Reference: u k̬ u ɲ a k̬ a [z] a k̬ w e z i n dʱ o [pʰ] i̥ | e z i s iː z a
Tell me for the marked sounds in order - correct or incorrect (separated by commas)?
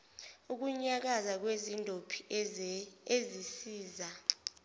correct, correct